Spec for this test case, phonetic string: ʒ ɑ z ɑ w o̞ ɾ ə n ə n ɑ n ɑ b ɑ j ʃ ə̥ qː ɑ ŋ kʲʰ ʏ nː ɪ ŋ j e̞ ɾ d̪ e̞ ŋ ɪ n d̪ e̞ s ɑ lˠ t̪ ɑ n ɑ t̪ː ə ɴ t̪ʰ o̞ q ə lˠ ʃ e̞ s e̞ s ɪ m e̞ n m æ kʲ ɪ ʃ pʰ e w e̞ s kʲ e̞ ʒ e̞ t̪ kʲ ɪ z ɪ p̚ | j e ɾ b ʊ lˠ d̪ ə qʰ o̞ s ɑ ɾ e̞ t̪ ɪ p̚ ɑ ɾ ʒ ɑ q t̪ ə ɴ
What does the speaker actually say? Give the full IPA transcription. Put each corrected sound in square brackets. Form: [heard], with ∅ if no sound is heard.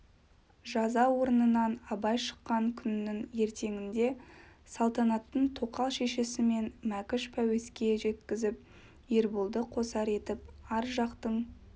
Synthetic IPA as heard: ʒ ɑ z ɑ w o̞ ɾ ə n ə n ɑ n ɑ b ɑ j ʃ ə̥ qː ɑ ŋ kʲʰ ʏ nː ɪ ŋ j e̞ ɾ [t̪] e̞ ŋ ɪ n d̪ e̞ s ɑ lˠ t̪ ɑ n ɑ t̪ː ə ɴ t̪ʰ o̞ q [ɑ] lˠ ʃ e̞ [ʃ] e̞ s ɪ m e̞ n m æ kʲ ɪ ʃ pʰ [æ] w e̞ s kʲ e̞ ʒ e̞ t̪ kʲ ɪ z ɪ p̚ | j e ɾ b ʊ lˠ d̪ ə qʰ o̞ s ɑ ɾ e̞ t̪ ɪ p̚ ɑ ɾ ʒ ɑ q t̪ ə ɴ